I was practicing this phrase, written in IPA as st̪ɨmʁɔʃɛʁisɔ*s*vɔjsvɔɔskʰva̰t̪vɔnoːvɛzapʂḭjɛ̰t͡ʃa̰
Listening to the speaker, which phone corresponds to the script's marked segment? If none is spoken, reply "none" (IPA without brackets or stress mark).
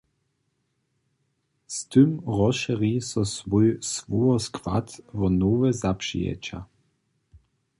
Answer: s